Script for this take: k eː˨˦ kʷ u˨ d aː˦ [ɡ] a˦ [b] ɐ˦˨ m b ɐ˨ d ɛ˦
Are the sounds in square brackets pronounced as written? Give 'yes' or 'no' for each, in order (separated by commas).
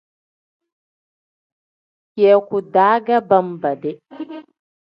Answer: yes, yes